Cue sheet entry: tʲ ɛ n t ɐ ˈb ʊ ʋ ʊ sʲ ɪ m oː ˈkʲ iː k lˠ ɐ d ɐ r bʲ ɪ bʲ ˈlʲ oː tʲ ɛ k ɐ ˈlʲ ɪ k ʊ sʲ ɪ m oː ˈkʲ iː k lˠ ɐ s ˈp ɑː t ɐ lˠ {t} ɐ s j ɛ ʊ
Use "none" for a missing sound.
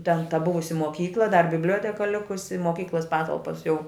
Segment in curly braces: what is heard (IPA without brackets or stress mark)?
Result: p